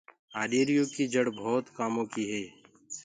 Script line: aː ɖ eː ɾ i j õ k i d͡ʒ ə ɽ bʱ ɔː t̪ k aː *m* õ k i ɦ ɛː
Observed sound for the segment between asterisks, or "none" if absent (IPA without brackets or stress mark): m